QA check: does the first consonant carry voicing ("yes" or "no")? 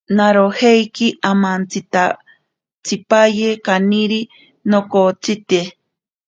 yes